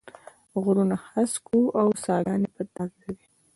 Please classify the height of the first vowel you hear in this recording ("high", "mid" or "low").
high